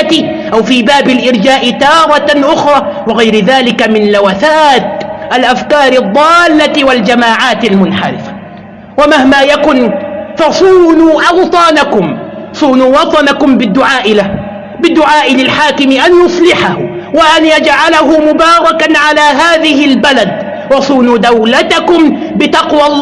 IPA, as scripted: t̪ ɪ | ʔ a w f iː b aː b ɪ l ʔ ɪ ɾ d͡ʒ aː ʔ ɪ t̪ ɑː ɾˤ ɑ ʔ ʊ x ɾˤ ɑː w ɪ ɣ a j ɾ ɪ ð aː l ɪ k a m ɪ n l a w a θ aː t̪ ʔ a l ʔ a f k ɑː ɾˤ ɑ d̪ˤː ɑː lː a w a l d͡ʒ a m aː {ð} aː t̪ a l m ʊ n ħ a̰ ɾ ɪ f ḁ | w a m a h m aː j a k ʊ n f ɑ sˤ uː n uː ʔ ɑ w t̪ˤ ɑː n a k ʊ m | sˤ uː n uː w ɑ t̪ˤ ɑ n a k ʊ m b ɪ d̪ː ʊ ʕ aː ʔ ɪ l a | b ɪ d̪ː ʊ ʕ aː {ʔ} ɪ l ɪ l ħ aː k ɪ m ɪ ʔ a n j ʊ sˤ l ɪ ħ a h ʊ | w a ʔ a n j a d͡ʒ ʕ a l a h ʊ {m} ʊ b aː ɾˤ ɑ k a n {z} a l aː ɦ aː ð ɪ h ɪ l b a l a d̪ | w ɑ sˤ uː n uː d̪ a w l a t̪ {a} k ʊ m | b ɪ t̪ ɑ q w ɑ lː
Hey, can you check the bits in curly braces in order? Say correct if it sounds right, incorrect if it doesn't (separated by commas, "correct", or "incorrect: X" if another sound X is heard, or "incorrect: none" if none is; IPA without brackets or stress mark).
incorrect: ʕ, correct, correct, incorrect: ʕ, correct